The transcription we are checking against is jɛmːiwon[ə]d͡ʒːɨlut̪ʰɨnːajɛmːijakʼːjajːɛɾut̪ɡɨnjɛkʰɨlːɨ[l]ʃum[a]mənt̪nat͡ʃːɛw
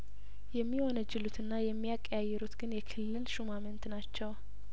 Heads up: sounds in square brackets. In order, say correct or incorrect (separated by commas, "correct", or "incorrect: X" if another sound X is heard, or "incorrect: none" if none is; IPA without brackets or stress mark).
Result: correct, correct, correct